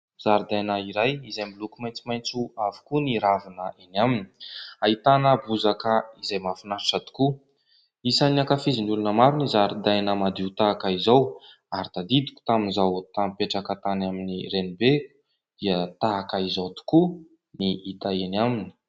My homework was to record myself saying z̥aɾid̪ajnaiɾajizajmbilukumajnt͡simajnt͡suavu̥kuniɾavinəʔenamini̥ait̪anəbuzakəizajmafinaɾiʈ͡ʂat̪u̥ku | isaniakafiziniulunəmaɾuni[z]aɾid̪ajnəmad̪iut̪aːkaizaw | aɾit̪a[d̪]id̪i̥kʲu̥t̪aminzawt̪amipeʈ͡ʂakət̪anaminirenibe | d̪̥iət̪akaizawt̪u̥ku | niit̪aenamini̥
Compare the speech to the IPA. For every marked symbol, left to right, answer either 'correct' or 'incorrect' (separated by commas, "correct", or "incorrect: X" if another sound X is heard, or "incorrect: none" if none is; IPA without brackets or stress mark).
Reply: correct, correct